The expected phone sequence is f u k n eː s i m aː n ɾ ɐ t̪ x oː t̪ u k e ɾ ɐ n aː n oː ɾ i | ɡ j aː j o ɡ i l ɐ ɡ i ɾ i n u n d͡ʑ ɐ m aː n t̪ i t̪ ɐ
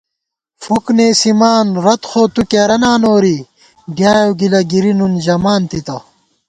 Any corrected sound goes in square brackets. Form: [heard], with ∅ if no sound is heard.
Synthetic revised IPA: f u k n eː s i m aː n ɾ ɐ t̪ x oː t̪ u k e ɾ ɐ n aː n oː ɾ i | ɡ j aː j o ɡ i l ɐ ɡ i ɾ i n u n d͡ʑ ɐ m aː n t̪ i t̪ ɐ

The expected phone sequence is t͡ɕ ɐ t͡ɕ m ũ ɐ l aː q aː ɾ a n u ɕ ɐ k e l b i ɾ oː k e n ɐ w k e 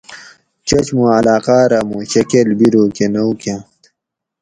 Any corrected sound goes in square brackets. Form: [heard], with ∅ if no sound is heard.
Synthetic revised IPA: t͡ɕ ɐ t͡ɕ m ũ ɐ l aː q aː ɾ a [m] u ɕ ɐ k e l b i ɾ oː k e n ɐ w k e

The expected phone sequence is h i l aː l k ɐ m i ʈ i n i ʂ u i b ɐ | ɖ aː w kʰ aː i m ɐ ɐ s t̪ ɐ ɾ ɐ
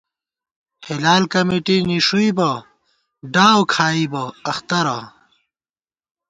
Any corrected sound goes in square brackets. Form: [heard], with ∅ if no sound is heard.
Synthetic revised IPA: h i l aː l k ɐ m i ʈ i n i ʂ u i b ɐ | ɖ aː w kʰ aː i [b] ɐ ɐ [x] t̪ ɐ ɾ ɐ

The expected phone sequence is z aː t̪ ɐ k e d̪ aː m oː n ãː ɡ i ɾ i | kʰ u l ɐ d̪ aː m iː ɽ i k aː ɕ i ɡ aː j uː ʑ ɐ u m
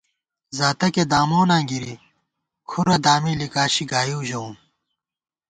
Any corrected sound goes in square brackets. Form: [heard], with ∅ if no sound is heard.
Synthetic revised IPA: z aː t̪ ɐ k e d̪ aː m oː n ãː ɡ i ɾ i | kʰ u [ɾ] ɐ d̪ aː m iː [l] i k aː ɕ i ɡ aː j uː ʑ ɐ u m

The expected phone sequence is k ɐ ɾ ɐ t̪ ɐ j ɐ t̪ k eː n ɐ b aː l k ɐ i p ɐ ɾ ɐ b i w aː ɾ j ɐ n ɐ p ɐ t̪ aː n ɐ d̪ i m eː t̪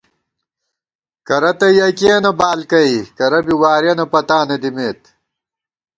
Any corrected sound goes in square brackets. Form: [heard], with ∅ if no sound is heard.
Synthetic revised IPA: k ɐ ɾ ɐ t̪ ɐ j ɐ [∅] k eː n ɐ b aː l k ɐ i [k] ɐ ɾ ɐ b i w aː ɾ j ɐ n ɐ p ɐ t̪ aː n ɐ d̪ i m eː t̪

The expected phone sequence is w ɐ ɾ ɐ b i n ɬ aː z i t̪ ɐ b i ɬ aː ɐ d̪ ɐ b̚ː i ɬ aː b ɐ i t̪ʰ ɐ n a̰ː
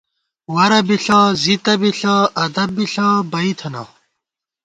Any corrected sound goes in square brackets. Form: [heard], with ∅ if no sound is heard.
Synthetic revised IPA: w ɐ ɾ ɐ b i [∅] ɬ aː z i t̪ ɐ b i ɬ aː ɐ d̪ ɐ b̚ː i ɬ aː b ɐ i t̪ʰ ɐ n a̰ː

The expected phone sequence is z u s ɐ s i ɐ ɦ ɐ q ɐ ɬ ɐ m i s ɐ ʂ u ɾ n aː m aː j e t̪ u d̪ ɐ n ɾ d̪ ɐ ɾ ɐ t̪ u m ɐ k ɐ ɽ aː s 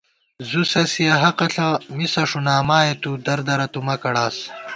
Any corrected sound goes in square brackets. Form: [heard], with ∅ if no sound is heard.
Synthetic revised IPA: z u s ɐ s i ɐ ɦ ɐ q ɐ ɬ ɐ m i s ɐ ʂ u [∅] n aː m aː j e t̪ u d̪ ɐ [∅] ɾ d̪ ɐ ɾ ɐ t̪ u m ɐ k ɐ ɽ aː s

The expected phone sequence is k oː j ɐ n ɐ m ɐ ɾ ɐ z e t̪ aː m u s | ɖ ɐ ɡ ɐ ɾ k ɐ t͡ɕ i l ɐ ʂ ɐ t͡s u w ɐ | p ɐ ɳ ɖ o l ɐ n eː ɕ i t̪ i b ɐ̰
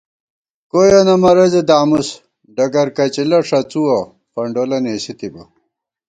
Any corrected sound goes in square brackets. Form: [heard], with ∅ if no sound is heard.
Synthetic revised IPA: k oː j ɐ n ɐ m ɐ ɾ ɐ z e [d̪] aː m u s | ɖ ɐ ɡ ɐ ɾ k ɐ t͡ɕ i l ɐ ʂ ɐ t͡s u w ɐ | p ɐ ɳ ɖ o l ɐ n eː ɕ i t̪ i b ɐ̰

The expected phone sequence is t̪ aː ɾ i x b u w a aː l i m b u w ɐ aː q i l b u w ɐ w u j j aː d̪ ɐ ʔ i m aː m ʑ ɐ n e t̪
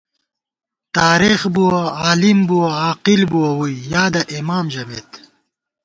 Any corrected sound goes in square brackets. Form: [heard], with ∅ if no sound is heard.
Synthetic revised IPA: t̪ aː ɾ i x b u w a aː l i m b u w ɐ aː q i l b u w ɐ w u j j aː d̪ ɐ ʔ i m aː m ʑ ɐ [m] e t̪

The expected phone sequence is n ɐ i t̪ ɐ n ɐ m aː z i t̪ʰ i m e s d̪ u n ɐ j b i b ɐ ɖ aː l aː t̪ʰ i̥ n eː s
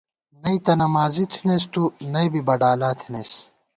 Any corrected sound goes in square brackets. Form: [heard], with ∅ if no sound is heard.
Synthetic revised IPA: n ɐ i t̪ ɐ n ɐ m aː z i t̪ʰ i [n] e s [t̪] u n ɐ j b i b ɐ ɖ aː l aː t̪ʰ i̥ n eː s

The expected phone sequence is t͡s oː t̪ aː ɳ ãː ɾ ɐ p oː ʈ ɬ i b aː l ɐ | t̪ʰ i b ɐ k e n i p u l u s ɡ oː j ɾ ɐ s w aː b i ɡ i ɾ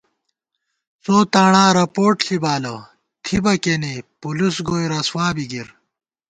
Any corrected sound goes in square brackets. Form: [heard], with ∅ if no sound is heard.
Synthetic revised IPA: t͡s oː t̪ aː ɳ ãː ɾ ɐ p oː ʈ ɬ i b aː l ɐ | t̪ʰ i b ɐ k e n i p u l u s ɡ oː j ɾ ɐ s w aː b i ɡ i ɾ

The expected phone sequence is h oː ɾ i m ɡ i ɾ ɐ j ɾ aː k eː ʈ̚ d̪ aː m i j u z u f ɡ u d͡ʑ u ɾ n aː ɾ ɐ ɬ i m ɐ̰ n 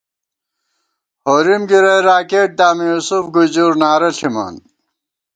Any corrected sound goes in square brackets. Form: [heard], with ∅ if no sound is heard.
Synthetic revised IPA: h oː ɾ i m ɡ i ɾ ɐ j ɾ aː k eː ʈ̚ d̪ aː m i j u [s] u f ɡ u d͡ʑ u ɾ n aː ɾ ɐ ɬ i m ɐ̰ n

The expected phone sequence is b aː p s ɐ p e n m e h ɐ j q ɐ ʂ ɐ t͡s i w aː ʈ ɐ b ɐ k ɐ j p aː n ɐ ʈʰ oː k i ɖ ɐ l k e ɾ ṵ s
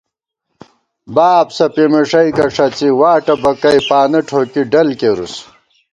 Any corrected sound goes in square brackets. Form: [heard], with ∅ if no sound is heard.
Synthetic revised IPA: b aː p s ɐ p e [∅] m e [ʂ] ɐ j [k] ɐ ʂ ɐ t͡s i w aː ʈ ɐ b ɐ k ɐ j p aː n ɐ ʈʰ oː k i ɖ ɐ l k e ɾ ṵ s

